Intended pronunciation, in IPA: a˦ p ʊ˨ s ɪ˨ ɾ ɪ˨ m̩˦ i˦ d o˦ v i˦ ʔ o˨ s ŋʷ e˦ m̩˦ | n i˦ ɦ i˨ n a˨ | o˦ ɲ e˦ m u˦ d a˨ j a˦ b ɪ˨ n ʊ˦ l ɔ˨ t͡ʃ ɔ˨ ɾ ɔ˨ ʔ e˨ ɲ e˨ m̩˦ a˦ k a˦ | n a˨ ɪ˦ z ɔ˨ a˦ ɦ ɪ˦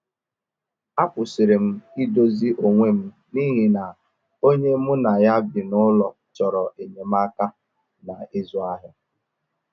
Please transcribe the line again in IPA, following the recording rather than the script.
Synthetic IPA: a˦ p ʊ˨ s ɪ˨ ɾ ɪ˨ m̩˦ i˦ d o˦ z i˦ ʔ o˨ ŋʷ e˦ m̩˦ | n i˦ ɦ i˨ n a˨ | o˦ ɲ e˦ m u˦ n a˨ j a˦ b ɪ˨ n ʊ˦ l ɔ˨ t͡ʃ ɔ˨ ɾ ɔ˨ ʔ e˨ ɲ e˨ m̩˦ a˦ k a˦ | n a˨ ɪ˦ z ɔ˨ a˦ ɦ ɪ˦